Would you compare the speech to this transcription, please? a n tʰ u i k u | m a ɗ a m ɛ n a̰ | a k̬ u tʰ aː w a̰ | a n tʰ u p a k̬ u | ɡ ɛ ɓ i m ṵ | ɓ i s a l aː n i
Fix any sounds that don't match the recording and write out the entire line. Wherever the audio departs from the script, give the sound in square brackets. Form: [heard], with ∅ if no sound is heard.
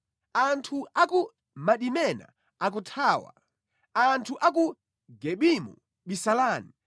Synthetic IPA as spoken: a n tʰ u [a] k u | m a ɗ [i] m ɛ n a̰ | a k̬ u tʰ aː w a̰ | a n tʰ u [ʔ] a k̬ u | ɡ ɛ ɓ i m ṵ | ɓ i s a l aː n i

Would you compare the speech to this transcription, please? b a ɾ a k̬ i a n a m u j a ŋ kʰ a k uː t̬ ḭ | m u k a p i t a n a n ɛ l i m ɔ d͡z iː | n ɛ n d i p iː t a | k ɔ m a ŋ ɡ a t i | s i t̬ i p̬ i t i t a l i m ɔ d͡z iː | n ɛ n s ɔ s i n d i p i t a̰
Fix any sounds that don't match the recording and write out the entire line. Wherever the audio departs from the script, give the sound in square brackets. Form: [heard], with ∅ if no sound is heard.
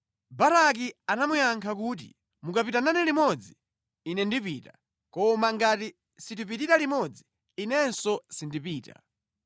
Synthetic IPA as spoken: b a ɾ a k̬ i a n a m u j a ŋ kʰ a k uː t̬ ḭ | m u k a p i t a n a n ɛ l i m ɔ d͡z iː | n ɛ n d i p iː t a | k ɔ m a ŋ ɡ a t i | s i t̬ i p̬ i t i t a l i m ɔ d͡z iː | n ɛ n s ɔ s i n d i p [iː] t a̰

